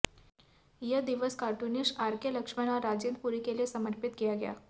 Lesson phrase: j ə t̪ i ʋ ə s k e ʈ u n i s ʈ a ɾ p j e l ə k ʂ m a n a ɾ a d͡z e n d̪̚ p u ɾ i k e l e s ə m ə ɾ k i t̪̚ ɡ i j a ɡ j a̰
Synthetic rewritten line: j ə d̪ i ʋ ə s k a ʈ u n i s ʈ a ɾ k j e l ə k ʂ m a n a ɾ a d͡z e n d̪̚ p u ɾ i k e l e s ə m ə ɾ p i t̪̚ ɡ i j a ɡ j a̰